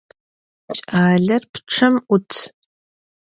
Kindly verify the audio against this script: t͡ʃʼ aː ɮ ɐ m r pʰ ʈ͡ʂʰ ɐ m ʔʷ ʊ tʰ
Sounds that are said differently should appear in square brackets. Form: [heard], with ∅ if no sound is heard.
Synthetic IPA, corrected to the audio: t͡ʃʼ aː ɮ ɐ [∅] r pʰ ʈ͡ʂʰ ɐ m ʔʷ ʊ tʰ